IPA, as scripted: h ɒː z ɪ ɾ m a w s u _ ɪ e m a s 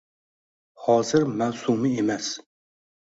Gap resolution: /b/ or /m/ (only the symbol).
m